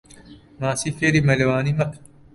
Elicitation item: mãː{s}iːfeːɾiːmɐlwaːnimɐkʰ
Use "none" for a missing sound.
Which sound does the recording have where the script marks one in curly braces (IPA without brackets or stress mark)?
s